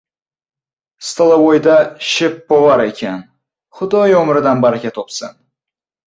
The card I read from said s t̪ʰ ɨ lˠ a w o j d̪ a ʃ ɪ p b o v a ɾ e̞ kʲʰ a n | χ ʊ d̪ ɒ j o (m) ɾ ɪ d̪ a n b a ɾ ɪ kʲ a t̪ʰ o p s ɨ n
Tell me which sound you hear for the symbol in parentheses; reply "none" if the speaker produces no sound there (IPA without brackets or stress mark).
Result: m